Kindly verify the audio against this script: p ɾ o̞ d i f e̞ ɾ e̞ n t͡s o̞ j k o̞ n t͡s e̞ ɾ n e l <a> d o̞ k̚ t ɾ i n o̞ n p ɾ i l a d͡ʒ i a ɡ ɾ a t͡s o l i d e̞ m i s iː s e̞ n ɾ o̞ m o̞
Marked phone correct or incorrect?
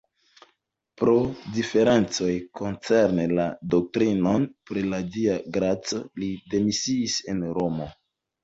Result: correct